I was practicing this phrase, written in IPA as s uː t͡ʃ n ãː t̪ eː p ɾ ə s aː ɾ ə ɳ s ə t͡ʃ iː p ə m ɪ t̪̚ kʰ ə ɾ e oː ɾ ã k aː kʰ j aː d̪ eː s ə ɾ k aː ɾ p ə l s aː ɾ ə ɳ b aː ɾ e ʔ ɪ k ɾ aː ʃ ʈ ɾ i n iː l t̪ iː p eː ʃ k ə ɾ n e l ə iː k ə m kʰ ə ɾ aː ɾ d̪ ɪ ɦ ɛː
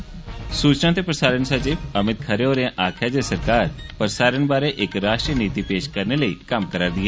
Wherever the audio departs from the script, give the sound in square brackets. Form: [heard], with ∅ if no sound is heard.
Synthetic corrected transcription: s uː t͡ʃ n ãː t̪ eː p ɾ ə s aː ɾ ə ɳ s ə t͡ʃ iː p ə m ɪ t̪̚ kʰ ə ɾ e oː ɾ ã [ʔ] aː kʰ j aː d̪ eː s ə ɾ k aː ɾ p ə [ɾ] s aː ɾ ə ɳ b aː ɾ e ʔ ɪ k ɾ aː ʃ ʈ ɾ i n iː [∅] t̪ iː p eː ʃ k ə ɾ n e l ə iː k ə m [k] ə ɾ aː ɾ d̪ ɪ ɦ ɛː

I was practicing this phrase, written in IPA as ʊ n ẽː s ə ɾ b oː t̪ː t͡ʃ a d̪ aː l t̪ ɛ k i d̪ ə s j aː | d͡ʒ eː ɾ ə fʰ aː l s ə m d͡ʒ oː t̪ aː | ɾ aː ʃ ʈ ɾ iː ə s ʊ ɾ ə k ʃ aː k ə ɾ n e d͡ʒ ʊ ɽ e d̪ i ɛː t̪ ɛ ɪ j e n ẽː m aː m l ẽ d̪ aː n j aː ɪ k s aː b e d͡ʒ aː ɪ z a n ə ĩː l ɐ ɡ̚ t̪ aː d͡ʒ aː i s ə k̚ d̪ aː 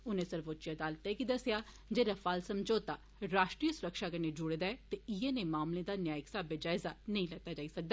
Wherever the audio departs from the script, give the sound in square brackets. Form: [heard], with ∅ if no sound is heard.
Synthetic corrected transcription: ʊ n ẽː s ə ɾ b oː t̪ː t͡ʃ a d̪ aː l t̪ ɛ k i d̪ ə s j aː | d͡ʒ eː ɾ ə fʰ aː l s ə m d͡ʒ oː t̪ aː | ɾ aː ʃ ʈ ɾ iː ə s ʊ ɾ ə k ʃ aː k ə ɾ n e d͡ʒ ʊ ɽ e d̪ [a] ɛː t̪ [e] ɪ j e n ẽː m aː m l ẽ d̪ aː n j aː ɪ k s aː b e d͡ʒ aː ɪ z a n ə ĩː l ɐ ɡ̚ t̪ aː d͡ʒ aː i s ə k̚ d̪ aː

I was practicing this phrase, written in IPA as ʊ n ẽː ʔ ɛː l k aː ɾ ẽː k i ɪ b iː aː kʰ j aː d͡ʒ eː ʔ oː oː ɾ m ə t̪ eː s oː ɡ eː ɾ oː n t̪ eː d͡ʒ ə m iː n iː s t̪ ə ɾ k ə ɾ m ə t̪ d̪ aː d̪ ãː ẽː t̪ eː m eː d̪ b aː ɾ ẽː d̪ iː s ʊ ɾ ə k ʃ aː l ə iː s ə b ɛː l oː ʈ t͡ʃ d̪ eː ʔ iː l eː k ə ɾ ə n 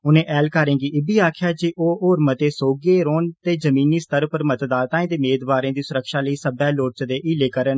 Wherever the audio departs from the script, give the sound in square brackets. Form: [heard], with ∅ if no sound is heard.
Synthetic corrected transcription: ʊ n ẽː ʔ ɛː l k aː ɾ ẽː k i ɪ b iː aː kʰ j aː d͡ʒ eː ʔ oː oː ɾ m ə t̪ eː s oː ɡ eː ɾ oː n t̪ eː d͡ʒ ə m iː n iː s t̪ ə ɾ [p] ə ɾ m ə t̪ d̪ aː [t̪] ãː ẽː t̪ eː m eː d̪ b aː ɾ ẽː d̪ iː s ʊ ɾ ə k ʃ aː l ə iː s ə b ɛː l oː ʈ t͡ʃ d̪ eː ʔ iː l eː k ə ɾ ə n

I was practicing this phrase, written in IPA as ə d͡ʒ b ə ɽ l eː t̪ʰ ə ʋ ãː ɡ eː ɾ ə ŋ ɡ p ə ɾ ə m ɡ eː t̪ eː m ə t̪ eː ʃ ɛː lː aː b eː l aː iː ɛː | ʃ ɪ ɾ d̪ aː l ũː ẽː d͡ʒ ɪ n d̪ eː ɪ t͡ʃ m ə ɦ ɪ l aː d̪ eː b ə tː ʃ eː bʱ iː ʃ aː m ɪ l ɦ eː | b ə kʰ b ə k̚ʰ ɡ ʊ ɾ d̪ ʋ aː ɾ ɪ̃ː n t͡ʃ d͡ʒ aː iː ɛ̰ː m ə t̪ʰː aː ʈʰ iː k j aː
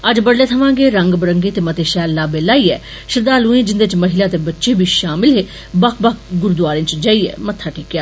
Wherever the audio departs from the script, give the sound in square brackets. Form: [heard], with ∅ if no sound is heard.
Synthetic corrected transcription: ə d͡ʒ b ə ɽ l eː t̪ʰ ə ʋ ãː ɡ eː ɾ ə ŋ ɡ [b] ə ɾ ə [ŋ] ɡ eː t̪ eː m ə t̪ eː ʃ ɛː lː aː b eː l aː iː ɛː | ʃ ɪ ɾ d̪ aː l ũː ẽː d͡ʒ ɪ n d̪ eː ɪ t͡ʃ m ə ɦ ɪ l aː [t̪] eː b ə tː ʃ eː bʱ iː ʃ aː m ɪ l ɦ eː | b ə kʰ b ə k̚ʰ ɡ ʊ ɾ d̪ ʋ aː ɾ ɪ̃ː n t͡ʃ d͡ʒ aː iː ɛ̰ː m ə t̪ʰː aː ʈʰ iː k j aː

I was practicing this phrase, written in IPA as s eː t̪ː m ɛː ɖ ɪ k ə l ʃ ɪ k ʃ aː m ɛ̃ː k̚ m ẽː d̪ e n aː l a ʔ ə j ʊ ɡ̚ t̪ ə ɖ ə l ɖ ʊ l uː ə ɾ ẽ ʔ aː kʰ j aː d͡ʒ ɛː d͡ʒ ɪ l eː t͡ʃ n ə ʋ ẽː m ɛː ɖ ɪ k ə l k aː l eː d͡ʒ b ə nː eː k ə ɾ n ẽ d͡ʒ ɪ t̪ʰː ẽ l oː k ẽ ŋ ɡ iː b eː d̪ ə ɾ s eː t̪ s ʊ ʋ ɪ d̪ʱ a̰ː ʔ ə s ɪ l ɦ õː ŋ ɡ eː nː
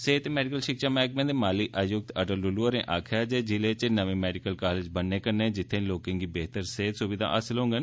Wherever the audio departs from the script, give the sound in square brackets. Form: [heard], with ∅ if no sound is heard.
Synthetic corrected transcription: s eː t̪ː m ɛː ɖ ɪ k ə l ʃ ɪ k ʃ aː m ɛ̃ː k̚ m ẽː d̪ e [m] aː l [i] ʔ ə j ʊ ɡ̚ t̪ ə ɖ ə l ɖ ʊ l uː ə ɾ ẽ ʔ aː kʰ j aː d͡ʒ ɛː d͡ʒ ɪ l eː t͡ʃ n ə ʋ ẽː m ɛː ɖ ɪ k ə l k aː l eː d͡ʒ b ə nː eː k ə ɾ n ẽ d͡ʒ ɪ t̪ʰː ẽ l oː k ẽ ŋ ɡ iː b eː [t̪] ə ɾ s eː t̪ s ʊ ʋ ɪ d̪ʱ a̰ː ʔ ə s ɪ l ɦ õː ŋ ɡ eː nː

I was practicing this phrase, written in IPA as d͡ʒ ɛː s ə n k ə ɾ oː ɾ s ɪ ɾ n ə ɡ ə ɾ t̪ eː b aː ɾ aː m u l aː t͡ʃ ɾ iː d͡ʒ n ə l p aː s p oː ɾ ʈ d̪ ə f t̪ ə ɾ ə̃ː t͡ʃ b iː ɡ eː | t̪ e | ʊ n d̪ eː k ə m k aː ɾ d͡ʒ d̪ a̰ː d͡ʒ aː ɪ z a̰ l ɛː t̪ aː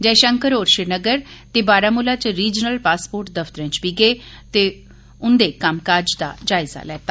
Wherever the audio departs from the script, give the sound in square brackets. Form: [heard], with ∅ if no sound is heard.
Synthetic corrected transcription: d͡ʒ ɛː [ʃ] ə [ŋ] k ə ɾ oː ɾ [ʃ] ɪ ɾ n ə ɡ ə ɾ t̪ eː b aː ɾ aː m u l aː t͡ʃ ɾ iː d͡ʒ n ə l p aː s p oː ɾ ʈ d̪ ə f t̪ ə ɾ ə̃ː t͡ʃ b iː ɡ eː | t̪ e | ʊ n d̪ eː k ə m k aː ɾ d͡ʒ d̪ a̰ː d͡ʒ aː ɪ z a̰ l ɛː t̪ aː

